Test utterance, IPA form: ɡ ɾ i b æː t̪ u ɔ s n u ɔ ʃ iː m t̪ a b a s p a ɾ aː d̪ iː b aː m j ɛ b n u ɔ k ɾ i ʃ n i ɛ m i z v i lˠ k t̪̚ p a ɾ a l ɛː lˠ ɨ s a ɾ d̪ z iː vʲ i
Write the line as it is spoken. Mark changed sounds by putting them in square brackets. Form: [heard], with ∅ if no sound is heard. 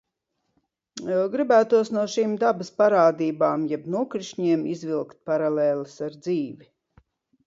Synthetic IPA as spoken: ɡ ɾ i b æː t̪ u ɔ s n u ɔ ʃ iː m [d̪] a b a s p a ɾ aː d̪ iː b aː m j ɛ b n u ɔ k ɾ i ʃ [ɲ] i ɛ m i z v i lˠ k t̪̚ p a ɾ a l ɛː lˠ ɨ s a ɾ d̪ z iː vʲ i